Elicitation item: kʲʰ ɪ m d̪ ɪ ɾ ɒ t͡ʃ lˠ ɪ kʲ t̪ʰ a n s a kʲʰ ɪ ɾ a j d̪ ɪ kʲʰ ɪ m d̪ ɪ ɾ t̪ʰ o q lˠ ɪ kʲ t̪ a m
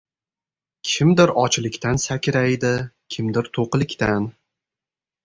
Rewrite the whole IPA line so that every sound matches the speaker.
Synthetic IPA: kʲʰ ɪ m d̪ ɪ ɾ ɒ t͡ʃ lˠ ɪ kʲ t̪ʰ a n s a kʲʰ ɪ ɾ a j d̪ ɪ kʲʰ ɪ m d̪ ɪ ɾ t̪ʰ o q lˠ ɪ kʲ t̪ a n